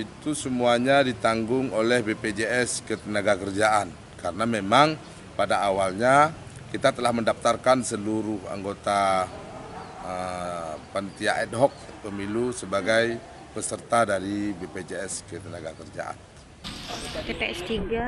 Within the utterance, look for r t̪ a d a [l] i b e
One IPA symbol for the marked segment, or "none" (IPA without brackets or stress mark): ɾ